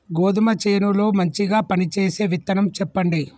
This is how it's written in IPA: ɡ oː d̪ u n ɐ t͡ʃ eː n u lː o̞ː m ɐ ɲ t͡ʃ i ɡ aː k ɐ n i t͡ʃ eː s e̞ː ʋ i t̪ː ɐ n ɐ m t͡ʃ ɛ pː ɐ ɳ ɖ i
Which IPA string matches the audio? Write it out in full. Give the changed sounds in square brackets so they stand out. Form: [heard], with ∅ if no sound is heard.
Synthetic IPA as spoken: ɡ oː d̪ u [m] ɐ t͡ʃ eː n u [l] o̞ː m ɐ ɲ t͡ʃ i ɡ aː [p] ɐ n i t͡ʃ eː s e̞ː ʋ i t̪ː ɐ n ɐ m t͡ʃ ɛ pː ɐ ɳ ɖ i